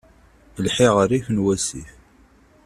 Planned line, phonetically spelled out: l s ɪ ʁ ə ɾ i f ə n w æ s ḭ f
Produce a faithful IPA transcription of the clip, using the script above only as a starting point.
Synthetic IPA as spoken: l ħ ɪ ʁ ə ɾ i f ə n w æ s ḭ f

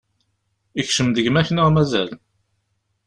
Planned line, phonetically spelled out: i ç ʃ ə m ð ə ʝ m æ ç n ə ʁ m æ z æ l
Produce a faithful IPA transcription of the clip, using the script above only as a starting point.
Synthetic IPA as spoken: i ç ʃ ə m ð ə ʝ m æ ç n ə ʁ m æ z æ l

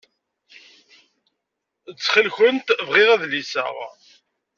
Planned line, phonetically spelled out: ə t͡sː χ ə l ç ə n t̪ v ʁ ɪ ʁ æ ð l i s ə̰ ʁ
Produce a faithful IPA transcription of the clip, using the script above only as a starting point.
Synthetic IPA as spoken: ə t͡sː χ ə l ç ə n t̪ v ʁ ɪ ʁ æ ð l i s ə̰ ʁ

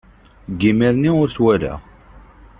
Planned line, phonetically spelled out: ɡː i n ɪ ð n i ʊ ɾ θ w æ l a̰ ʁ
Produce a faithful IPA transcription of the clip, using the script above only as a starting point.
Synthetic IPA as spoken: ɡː i m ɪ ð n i ʊ ɾ θ w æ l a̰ ʁ

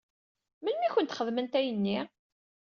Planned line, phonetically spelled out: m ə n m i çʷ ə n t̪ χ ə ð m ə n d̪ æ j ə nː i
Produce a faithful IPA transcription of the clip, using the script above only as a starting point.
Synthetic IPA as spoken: m ə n m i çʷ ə n t̪ χ ə ð m ə n t̪ æ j ə nː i

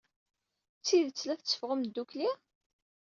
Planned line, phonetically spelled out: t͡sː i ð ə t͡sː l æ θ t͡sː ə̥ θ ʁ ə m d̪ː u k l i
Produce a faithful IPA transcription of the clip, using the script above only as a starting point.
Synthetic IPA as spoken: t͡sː i ð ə t͡sː l æ θ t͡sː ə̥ f ʁ ə m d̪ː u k l i

